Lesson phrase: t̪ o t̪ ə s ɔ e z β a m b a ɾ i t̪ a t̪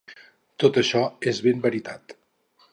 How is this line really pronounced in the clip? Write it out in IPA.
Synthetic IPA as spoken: t̪ o t̪ ə ʃ ɔ e z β e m b ə ɾ i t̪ a t̪